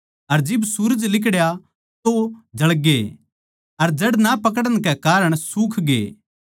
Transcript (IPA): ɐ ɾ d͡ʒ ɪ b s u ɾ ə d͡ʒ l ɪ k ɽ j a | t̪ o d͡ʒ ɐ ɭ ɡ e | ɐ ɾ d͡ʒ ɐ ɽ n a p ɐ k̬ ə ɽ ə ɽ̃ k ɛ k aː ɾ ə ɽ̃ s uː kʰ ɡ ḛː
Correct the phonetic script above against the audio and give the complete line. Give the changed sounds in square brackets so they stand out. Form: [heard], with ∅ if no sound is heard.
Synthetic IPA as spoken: ɐ ɾ d͡ʒ ɪ b s u ɾ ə d͡ʒ l ɪ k ɽ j a | t̪ o d͡ʒ ɐ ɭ ɡ e | ɐ ɾ d͡ʒ ɐ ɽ n a p ɐ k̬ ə ɽ ə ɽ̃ k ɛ k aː ɾ ə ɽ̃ s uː kʰ ɡ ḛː